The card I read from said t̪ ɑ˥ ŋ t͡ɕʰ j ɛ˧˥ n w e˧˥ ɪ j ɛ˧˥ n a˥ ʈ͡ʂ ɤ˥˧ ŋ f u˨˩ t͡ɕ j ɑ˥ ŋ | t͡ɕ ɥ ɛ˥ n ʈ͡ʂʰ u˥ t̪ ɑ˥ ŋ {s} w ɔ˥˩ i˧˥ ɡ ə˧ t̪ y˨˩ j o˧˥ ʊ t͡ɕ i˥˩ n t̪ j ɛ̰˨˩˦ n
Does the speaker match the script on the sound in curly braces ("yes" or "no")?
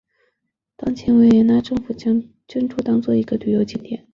no